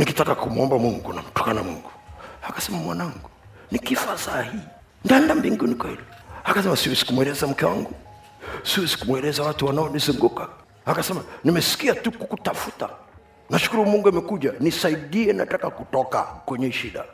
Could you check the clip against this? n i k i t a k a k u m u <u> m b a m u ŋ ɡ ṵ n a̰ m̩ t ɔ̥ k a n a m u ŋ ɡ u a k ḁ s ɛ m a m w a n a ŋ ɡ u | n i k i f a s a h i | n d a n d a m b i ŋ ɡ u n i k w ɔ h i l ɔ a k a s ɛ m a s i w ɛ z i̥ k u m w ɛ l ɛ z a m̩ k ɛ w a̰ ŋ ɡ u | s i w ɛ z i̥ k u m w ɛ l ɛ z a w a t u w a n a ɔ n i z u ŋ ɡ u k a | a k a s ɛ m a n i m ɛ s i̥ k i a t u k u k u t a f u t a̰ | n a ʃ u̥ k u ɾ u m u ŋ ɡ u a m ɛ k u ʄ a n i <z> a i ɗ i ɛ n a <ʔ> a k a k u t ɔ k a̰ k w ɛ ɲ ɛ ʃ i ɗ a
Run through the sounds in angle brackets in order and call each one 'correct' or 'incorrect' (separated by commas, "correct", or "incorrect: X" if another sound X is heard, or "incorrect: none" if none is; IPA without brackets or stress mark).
incorrect: ɔ, incorrect: s, incorrect: t